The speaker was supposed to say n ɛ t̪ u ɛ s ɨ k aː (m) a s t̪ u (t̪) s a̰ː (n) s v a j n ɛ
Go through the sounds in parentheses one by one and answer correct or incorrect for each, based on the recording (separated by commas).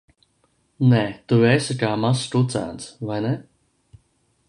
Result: correct, correct, correct